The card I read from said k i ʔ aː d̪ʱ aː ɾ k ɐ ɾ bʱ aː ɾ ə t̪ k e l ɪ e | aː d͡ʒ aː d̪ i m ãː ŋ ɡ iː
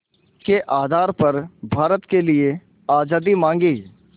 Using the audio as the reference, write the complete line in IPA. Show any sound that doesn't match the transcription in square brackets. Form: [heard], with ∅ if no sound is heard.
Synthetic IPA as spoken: k [e] ʔ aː d̪ʱ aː ɾ [p] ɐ ɾ bʱ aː ɾ ə t̪ k e l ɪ e | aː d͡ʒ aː d̪ i m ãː ŋ ɡ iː